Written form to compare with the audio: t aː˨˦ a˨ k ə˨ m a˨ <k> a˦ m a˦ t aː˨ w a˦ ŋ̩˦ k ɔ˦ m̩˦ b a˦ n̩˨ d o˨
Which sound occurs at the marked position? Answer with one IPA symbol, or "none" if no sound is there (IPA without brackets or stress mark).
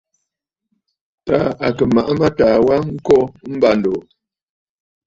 ʔ